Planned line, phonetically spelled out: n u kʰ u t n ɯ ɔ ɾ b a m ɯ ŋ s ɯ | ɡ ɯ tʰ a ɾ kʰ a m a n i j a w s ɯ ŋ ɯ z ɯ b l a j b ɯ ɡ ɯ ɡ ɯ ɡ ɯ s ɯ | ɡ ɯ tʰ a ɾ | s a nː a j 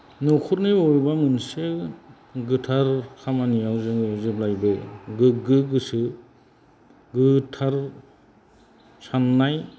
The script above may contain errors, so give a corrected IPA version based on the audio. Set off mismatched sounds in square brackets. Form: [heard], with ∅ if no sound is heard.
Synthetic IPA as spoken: n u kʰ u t n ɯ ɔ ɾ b a m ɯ [n] s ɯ | ɡ ɯ tʰ a ɾ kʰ a m a n i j a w [z] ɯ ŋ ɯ z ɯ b l a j b ɯ ɡ ɯ ɡ ɯ ɡ ɯ s ɯ | ɡ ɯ tʰ a ɾ | s a nː a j